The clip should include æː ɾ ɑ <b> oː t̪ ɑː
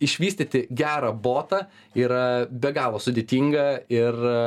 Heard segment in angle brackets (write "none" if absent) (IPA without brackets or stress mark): b